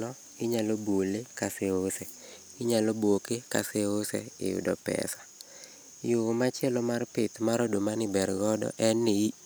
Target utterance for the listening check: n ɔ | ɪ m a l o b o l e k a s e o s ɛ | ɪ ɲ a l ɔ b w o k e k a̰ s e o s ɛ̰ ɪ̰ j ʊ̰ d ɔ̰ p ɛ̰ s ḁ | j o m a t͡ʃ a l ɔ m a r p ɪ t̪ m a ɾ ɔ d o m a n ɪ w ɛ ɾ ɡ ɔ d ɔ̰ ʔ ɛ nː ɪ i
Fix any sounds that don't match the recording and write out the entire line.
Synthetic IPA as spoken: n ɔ | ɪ ɲ a l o b o l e k a s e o s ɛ | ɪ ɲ a l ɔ b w o k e k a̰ s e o s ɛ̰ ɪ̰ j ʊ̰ d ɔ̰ p ɛ̰ s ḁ | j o m a t͡ʃ ɛ l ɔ m a r p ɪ t̪ m a ɾ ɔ d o m a n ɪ b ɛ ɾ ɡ ɔ d ɔ̰ ʔ ɛ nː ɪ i